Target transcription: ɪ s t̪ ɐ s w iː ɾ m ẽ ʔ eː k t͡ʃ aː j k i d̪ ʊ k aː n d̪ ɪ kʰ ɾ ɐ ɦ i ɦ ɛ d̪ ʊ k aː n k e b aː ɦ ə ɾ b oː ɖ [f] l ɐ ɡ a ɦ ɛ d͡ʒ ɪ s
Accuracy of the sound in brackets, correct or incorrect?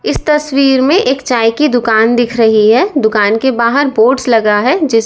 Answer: incorrect